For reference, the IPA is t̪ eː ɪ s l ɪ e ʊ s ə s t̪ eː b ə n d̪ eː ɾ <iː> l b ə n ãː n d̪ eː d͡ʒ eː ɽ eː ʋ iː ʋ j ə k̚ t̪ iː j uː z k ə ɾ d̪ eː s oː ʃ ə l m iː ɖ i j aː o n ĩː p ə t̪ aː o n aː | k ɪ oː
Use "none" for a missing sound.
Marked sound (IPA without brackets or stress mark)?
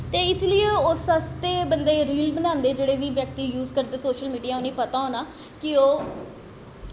iː